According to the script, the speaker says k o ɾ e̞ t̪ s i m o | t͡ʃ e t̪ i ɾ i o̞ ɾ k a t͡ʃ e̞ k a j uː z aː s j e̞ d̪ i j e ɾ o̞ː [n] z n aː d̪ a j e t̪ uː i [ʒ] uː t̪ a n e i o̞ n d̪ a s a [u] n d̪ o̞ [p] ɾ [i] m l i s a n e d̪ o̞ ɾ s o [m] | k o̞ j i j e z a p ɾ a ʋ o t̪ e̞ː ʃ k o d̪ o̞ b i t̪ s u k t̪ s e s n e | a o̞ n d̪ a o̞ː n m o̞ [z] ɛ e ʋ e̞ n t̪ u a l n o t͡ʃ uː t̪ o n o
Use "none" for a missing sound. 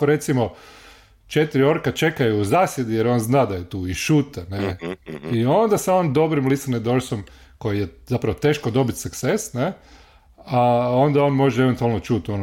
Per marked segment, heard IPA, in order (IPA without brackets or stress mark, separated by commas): n, ʃ, o, b, i, m, ʒ